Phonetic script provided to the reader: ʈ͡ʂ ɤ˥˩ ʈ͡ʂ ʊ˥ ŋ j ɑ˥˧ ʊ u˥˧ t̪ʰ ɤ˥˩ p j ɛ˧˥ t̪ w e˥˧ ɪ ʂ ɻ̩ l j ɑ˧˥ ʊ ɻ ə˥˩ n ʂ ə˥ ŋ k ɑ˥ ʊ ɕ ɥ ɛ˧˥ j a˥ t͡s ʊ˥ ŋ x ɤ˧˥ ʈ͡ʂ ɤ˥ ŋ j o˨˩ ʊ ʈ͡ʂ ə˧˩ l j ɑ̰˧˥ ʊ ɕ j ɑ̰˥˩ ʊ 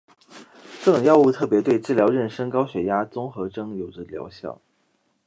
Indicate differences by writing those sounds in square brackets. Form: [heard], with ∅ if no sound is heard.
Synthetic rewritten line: ʈ͡ʂ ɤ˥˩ ʈ͡ʂ [ʊ˨˩] ŋ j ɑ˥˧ ʊ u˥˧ t̪ʰ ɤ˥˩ p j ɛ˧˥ t̪ w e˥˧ ɪ [ʈ͡ʂ] ɻ̩ l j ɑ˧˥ ʊ ɻ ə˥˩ n ʂ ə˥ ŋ k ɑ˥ ʊ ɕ ɥ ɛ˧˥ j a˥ t͡s ʊ˥ ŋ x ɤ˧˥ ʈ͡ʂ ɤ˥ ŋ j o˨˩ ʊ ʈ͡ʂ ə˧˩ l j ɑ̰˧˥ ʊ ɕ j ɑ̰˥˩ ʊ